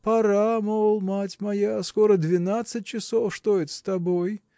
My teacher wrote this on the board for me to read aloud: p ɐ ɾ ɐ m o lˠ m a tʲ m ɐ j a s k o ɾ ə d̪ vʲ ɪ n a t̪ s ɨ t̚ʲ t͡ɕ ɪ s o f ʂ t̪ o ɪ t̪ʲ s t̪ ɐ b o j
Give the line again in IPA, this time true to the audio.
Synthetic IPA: p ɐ ɾ a m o lˠ m a tʲ m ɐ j a s k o ɾ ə d̪ vʲ ɪ n a t̪ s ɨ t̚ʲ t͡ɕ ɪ s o f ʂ t̪ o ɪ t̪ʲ s t̪ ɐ b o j